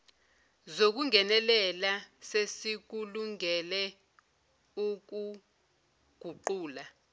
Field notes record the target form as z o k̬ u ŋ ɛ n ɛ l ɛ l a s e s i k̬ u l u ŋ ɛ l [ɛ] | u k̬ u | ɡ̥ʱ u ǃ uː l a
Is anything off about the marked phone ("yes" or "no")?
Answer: no